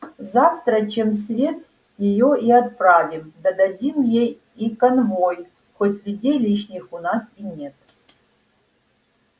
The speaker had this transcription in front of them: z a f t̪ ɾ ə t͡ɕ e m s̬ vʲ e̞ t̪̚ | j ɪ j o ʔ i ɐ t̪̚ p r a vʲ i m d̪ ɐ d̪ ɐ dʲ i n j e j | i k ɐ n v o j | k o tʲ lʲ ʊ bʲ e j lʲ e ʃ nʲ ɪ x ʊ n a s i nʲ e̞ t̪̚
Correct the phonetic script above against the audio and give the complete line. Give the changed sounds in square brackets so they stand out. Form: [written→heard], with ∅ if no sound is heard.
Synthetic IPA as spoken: z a f t̪ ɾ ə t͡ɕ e m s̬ vʲ e̞ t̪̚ | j ɪ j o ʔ i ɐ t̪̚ p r a vʲ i m d̪ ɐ d̪ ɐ dʲ i [n→m] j e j | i k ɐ n v o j | [k→x] o tʲ lʲ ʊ [bʲ→dʲ] e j lʲ [e→i] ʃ nʲ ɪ x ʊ n a s i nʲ e̞ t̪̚